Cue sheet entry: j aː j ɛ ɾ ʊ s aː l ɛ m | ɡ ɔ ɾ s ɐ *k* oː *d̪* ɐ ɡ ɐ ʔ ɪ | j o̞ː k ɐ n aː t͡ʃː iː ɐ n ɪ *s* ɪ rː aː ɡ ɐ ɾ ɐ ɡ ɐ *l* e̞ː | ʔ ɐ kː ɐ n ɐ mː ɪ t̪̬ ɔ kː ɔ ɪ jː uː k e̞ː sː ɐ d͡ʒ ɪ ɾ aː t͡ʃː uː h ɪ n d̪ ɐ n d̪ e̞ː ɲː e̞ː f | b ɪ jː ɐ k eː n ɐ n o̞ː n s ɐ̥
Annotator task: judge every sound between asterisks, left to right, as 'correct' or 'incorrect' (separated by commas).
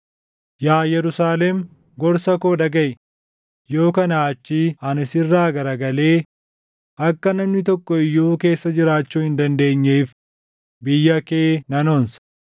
correct, correct, correct, correct